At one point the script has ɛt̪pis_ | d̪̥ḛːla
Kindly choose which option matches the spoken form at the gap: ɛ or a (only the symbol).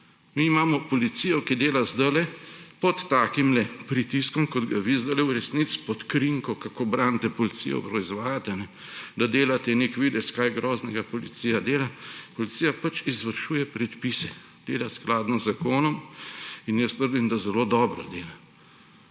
ɛ